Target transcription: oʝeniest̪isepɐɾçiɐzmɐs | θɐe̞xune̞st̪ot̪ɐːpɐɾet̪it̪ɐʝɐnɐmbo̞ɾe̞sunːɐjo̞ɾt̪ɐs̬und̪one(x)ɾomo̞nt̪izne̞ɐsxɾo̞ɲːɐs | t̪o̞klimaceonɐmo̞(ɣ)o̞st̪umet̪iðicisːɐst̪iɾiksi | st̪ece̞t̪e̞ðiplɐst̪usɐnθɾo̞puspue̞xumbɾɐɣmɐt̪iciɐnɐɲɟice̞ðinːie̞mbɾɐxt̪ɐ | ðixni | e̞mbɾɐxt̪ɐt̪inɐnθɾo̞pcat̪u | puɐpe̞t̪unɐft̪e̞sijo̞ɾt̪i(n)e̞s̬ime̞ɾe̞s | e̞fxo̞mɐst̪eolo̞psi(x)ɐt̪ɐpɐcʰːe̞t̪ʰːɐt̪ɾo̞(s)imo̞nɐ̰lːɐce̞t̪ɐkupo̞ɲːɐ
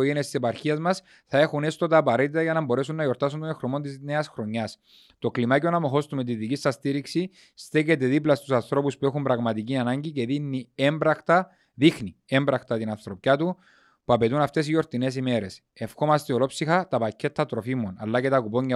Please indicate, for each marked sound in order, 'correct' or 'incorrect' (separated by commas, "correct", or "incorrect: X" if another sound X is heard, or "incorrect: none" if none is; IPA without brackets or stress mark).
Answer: correct, incorrect: x, correct, correct, incorrect: f